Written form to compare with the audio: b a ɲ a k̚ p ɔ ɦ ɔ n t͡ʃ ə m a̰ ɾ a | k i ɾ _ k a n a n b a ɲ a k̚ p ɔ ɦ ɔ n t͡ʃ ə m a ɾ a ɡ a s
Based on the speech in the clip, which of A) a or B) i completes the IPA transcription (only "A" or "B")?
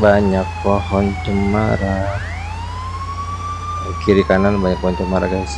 B